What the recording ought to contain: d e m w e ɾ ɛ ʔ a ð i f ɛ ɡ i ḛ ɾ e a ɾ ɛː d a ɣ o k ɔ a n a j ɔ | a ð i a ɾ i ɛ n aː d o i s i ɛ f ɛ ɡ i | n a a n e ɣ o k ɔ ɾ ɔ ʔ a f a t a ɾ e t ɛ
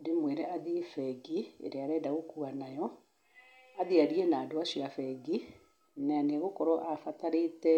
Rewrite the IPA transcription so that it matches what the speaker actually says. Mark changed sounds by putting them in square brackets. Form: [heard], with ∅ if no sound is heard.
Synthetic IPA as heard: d e m w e ɾ ɛ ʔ a ð i f ɛ ɡ i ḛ ɾ e a ɾ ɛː d a ɣ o k [u] a n a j ɔ | a ð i a ɾ i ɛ n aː d o [a] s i [a] f ɛ ɡ i | n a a n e ɣ o k ɔ ɾ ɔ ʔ a f a t a ɾ e t ɛ